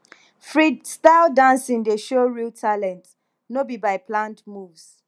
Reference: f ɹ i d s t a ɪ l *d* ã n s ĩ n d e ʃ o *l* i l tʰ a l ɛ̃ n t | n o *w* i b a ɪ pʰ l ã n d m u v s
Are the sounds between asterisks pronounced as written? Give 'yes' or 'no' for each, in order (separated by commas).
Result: yes, no, no